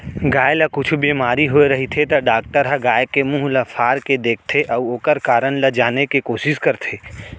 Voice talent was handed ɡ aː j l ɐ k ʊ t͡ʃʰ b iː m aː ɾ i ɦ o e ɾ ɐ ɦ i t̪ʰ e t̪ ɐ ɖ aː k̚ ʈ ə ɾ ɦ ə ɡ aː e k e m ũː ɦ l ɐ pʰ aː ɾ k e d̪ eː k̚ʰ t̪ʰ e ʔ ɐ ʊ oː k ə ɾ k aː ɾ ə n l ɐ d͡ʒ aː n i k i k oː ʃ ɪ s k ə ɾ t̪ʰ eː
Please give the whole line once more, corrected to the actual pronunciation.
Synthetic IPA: ɡ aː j l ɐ k ʊ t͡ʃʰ b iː m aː ɾ i ɦ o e ɾ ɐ ɦ i t̪ʰ e t̪ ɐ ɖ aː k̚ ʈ ə ɾ ɦ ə ɡ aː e k e m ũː ɦ l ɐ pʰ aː ɾ k e d̪ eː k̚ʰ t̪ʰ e ʔ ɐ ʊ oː k ə ɾ k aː ɾ ə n l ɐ d͡ʒ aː n e k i k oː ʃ ɪ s k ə ɾ t̪ʰ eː